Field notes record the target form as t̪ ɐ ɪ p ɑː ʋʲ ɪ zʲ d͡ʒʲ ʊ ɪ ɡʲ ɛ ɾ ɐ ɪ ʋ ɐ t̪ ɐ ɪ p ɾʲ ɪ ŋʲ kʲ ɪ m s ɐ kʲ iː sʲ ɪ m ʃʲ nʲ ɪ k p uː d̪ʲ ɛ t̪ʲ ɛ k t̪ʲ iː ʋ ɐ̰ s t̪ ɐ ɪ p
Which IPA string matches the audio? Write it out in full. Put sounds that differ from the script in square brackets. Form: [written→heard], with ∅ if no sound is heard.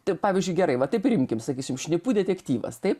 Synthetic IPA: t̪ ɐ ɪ p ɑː ʋʲ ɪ zʲ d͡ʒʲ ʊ ɪ ɡʲ ɛ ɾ ɐ ɪ ʋ ɐ t̪ ɐ ɪ p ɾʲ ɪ [ŋʲ→mʲ] kʲ ɪ m s ɐ kʲ iː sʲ ɪ m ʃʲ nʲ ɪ [k→∅] p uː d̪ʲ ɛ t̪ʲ ɛ k t̪ʲ iː ʋ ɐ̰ s t̪ ɐ ɪ p